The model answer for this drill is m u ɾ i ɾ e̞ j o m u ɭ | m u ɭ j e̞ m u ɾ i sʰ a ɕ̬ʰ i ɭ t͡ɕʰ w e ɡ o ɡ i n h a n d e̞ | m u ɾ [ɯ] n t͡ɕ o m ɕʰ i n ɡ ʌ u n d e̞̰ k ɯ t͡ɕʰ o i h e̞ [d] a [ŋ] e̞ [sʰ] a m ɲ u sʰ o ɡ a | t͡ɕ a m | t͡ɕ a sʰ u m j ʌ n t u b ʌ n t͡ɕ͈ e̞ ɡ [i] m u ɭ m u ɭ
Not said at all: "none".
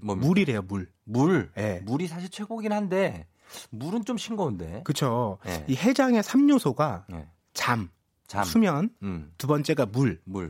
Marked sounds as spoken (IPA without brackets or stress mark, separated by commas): ɯ, d͡ʑ, ŋ, sʰ, a